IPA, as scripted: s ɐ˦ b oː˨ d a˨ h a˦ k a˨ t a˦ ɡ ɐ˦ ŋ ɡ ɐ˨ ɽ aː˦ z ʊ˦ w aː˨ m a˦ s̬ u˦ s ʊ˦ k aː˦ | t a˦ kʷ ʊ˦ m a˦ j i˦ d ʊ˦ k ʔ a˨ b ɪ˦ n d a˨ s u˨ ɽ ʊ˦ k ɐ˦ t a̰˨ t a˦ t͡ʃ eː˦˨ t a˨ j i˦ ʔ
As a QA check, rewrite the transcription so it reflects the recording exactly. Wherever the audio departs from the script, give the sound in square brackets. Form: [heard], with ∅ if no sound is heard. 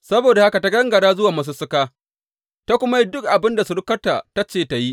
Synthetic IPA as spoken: s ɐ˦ b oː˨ d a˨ h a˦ k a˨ t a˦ ɡ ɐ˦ ŋ ɡ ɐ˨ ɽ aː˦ z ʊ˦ w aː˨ m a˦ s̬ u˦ s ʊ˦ k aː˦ | t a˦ kʷ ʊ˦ m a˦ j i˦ d ʊ˦ k ʔ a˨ b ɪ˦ n d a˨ s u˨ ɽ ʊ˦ k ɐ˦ t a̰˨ t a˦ t͡ʃ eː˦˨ t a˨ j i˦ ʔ

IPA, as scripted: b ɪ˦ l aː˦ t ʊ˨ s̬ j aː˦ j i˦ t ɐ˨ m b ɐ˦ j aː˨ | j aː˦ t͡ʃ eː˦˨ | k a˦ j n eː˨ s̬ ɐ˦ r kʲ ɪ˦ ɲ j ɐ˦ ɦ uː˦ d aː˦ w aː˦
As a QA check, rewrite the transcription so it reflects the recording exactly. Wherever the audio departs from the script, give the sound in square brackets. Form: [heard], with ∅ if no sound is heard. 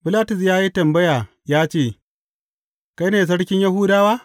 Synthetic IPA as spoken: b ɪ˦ l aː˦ t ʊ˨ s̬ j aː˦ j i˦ t ɐ˨ m b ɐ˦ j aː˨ | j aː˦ t͡ʃ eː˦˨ | k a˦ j n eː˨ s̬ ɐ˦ [ɽ] kʲ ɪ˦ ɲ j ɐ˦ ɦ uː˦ d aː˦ w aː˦

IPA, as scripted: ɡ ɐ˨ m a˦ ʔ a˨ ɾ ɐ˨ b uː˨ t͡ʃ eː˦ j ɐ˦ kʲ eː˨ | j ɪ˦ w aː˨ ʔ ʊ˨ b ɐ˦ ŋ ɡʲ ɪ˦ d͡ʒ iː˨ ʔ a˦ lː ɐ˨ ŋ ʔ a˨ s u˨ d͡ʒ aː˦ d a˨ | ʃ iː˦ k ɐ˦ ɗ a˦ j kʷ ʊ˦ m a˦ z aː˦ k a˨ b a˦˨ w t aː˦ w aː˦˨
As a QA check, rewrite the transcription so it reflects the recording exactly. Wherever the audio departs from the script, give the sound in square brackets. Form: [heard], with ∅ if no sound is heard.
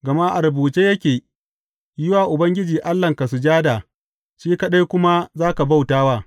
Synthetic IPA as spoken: ɡ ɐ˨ m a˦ ʔ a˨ ɾ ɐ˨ b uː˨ t͡ʃ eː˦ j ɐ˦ kʲ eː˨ | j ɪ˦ w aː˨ ʔ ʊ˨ b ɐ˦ ŋ ɡʲ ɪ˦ d͡ʒ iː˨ ʔ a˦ lː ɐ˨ ŋ [k] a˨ s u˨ d͡ʒ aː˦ d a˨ | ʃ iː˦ k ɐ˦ ɗ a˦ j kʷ ʊ˦ m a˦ z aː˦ k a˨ b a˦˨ w t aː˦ w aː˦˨

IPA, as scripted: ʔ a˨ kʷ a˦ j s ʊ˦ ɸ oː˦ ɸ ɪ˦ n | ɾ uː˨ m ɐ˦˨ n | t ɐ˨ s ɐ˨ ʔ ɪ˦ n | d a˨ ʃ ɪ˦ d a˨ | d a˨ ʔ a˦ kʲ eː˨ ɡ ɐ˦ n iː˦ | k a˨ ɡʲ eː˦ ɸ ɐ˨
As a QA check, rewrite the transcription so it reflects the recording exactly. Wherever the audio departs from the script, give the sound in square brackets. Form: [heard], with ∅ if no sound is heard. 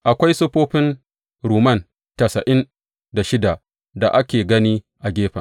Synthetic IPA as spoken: ʔ a˨ kʷ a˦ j s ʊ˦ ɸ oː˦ ɸ ɪ˦ n | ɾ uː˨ m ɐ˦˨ n | t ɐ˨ s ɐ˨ ʔ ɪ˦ n | d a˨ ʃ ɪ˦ d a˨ | d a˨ ʔ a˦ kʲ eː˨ ɡ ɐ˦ n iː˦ | [ʔ] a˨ ɡʲ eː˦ ɸ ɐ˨

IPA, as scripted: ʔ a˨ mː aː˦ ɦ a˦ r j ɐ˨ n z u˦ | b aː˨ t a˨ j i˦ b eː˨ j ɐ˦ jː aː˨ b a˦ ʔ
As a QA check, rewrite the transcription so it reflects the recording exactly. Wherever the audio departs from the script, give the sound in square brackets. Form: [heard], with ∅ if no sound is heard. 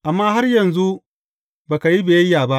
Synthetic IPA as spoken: ʔ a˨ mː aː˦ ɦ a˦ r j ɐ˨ n z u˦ | b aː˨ [k] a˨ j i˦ b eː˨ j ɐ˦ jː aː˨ b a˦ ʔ

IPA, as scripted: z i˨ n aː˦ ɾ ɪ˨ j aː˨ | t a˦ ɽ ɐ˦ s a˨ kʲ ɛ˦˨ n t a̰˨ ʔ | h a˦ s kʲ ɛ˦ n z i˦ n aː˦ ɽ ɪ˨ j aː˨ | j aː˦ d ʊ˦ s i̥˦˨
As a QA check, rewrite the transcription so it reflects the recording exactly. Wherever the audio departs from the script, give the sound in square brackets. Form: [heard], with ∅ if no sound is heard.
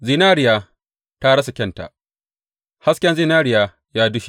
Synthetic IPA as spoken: z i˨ n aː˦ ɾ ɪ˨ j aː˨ | t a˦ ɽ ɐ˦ s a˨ kʲ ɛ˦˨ n t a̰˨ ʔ | h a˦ s kʲ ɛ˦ n z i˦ n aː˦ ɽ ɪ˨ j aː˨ | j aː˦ d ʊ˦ [ʃ] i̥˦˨

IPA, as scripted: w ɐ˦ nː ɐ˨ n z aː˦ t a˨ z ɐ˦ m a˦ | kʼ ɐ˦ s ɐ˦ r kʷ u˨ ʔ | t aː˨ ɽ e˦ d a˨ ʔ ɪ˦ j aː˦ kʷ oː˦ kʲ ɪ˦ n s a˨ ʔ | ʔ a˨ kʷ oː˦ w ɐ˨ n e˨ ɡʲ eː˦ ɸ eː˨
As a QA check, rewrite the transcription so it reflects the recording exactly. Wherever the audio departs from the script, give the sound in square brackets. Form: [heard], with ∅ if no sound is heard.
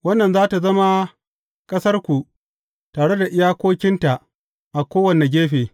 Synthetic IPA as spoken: w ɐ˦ nː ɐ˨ n z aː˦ t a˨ z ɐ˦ m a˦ | kʼ ɐ˦ s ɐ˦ r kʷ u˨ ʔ | t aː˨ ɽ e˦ d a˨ ʔ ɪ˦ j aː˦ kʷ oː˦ kʲ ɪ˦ n [t] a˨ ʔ | ʔ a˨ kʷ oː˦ w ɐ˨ n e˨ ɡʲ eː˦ ɸ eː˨

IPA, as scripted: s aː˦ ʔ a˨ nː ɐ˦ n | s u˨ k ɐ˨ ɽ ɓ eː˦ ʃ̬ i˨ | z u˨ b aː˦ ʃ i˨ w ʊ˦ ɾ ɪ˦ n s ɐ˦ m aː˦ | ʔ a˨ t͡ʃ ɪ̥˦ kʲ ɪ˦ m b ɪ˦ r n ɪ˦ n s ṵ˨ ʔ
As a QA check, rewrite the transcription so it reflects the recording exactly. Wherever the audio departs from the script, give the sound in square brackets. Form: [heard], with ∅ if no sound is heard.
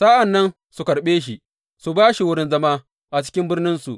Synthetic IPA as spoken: s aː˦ ʔ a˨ nː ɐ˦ n | s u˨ k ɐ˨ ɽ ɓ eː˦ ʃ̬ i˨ | [s] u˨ b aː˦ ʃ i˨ w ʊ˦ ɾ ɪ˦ n [z] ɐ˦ m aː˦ | ʔ a˨ t͡ʃ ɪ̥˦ kʲ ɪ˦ m b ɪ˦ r n ɪ˦ n s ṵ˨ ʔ

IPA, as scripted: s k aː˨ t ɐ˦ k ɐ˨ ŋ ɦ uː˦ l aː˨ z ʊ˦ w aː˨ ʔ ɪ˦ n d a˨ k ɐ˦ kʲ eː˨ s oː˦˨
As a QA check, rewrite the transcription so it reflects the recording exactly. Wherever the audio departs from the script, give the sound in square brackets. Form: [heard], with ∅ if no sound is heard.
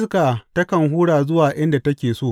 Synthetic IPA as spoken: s k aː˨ t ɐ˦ k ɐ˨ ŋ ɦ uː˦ [ɽ] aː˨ z ʊ˦ w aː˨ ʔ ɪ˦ n d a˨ [t] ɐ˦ kʲ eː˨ s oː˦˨

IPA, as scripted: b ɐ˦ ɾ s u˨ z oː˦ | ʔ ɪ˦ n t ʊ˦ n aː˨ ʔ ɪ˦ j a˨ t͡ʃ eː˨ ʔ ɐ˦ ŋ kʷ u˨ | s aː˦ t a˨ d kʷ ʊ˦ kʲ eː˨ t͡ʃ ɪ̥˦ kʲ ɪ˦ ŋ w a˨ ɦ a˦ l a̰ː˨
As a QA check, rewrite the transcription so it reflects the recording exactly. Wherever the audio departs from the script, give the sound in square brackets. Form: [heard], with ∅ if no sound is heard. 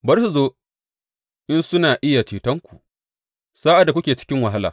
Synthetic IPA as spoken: b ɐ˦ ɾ s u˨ z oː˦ | ʔ ɪ˦ n [s] ʊ˦ n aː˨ ʔ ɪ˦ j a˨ t͡ʃ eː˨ [t] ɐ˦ ŋ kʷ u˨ | s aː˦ [ʔ] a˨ d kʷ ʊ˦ kʲ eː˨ t͡ʃ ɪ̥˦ kʲ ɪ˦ ŋ w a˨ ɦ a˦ l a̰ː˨

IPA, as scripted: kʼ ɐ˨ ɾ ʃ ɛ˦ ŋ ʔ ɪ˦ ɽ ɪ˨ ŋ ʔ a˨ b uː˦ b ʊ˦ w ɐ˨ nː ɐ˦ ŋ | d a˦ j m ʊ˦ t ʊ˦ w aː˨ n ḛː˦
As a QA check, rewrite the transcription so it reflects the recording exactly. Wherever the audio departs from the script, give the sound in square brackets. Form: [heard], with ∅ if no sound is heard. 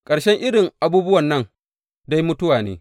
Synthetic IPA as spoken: kʼ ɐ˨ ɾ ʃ ɛ˦ ŋ ʔ ɪ˦ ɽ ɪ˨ ŋ ʔ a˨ b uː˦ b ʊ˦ w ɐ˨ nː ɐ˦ ŋ | d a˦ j m ʊ˦ t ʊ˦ w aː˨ n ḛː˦

